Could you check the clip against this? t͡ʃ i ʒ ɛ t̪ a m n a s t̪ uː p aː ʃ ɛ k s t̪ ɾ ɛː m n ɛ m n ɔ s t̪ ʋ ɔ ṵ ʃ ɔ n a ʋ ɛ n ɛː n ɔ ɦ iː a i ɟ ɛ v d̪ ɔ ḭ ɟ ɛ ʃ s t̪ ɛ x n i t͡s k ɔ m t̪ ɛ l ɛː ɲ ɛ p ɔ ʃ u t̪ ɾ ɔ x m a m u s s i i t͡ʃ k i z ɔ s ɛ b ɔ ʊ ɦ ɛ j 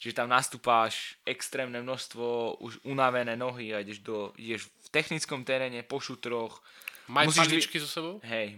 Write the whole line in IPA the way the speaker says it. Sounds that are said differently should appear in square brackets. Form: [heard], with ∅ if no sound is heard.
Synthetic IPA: t͡ʃ i ʒ ɛ t̪ a m n a s t̪ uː p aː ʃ ɛ k s t̪ ɾ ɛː m n ɛ m n ɔ s t̪ ʋ ɔ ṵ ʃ [u] n a ʋ ɛ n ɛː n ɔ ɦ [i] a i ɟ ɛ [ʒ] d̪ ɔ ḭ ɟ ɛ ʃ [f] t̪ ɛ x n i t͡s k ɔ m t̪ ɛ [ɾ] ɛː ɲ ɛ p ɔ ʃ u t̪ ɾ ɔ x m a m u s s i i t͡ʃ k i z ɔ s ɛ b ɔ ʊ ɦ ɛ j